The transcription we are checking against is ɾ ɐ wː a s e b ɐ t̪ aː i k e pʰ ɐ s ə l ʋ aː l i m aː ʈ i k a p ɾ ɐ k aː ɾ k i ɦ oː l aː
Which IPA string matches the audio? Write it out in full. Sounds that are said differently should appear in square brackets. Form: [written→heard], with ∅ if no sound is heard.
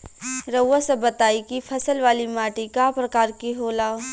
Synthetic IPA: ɾ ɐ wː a s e b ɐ t̪ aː i k [e→i] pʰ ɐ s ə l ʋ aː l i m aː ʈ i k a p ɾ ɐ k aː ɾ k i ɦ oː l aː